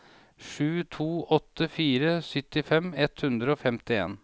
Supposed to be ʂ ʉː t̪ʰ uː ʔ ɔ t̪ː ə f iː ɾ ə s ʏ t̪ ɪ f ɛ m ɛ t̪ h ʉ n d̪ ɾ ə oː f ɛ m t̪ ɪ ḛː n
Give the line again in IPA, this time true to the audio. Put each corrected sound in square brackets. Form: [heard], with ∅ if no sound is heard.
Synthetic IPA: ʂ ʉː t̪ʰ uː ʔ ɔ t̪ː ə f iː ɾ ə s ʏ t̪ ɪ f ɛ m ɛ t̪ h ʉ n d̪ ɾ ə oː f ɛ m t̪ ɪ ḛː n